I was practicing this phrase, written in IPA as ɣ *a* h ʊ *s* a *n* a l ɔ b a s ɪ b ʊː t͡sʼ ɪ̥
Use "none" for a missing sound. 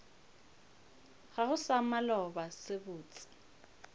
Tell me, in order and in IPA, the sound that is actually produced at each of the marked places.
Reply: a, s, m

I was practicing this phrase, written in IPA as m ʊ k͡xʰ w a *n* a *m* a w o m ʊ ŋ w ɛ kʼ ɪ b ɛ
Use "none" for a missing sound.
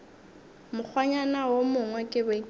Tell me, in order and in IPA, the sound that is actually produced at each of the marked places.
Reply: ɲ, n

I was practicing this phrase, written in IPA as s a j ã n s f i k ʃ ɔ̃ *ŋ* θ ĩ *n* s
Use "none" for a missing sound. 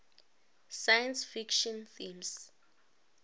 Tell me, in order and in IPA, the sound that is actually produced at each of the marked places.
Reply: n, m

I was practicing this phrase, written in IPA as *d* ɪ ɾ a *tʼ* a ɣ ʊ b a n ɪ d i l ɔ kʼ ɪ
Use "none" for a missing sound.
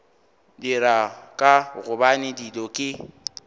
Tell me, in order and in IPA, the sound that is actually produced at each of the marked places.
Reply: d, kʼ

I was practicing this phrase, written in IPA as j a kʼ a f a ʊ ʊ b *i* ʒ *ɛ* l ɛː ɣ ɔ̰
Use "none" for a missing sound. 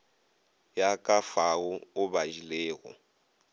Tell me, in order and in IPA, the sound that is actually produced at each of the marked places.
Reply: a, i

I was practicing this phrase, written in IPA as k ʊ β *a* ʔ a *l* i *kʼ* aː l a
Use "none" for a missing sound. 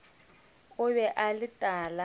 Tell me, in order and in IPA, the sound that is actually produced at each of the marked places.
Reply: ɛ, l, tʼ

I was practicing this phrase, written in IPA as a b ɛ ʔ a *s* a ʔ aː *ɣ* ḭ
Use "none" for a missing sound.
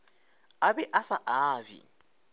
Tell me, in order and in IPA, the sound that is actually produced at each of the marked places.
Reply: s, v

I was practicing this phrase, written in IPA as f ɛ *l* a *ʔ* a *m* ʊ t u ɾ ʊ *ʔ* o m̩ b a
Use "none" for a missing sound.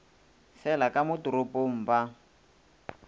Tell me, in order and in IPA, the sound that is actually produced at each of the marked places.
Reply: l, k, m, p

